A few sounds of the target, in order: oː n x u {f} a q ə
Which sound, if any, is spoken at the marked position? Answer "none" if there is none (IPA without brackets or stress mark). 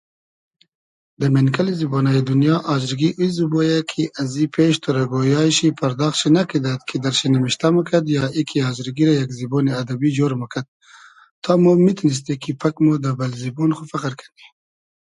f